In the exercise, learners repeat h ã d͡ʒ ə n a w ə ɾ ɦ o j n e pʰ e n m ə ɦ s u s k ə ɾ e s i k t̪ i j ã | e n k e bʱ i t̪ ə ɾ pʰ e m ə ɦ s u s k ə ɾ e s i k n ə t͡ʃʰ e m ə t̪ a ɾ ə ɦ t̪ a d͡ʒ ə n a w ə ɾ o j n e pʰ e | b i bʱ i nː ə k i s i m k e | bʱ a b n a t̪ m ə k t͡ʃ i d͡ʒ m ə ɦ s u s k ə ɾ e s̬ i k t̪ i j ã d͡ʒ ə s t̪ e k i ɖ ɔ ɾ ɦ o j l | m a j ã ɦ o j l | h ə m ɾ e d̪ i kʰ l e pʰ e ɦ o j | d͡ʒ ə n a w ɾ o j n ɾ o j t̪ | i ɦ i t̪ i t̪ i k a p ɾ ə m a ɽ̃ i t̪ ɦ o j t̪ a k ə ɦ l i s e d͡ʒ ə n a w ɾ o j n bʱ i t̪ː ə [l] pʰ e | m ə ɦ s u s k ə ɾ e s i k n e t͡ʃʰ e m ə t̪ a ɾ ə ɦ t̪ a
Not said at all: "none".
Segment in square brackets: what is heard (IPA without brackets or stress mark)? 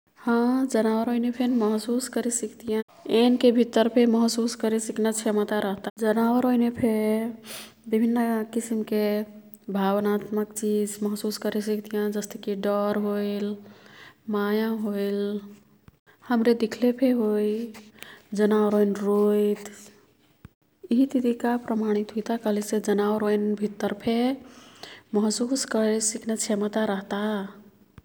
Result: ɾ